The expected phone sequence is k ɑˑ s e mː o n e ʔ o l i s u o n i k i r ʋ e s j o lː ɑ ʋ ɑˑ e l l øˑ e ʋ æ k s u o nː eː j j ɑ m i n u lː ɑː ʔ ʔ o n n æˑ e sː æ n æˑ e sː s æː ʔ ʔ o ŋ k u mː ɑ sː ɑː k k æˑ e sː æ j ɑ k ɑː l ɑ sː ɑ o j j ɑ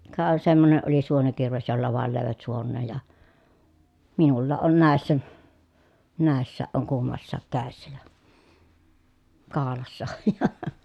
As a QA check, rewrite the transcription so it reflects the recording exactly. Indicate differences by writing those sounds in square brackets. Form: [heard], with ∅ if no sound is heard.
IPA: k ɑˑ s e mː o n e ʔ o l i s u o n i k i r ʋ e s j o lː ɑ ʋ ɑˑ e l l øˑ e ʋ æ [t] s u o nː eː j j ɑ m i n u lː ɑː ʔ ʔ o n n æˑ e sː æ n æˑ e sː s æː ʔ ʔ o ŋ k u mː ɑ sː ɑː k k æˑ e sː æ j ɑ k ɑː l ɑ sː ɑ o j j ɑ